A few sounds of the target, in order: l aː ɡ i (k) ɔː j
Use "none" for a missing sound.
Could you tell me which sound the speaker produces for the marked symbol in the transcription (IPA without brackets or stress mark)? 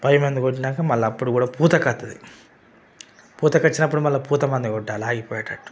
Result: p